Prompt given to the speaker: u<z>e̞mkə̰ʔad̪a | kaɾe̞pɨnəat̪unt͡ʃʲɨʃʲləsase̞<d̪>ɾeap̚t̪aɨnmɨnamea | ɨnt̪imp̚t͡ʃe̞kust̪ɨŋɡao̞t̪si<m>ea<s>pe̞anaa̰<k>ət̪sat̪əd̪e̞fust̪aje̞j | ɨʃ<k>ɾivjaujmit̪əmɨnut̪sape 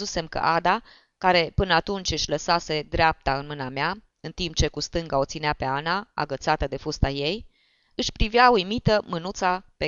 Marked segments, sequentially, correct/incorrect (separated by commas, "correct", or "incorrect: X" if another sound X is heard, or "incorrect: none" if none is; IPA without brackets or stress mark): incorrect: s, correct, incorrect: n, incorrect: none, incorrect: ɡ, incorrect: p